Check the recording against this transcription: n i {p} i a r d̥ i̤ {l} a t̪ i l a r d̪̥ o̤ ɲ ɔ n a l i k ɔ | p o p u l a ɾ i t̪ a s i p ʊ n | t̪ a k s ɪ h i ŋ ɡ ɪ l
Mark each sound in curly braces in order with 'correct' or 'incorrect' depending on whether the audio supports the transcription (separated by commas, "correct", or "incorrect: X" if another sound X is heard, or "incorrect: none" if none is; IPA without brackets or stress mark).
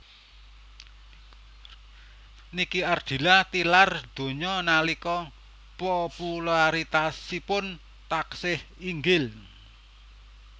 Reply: incorrect: k, correct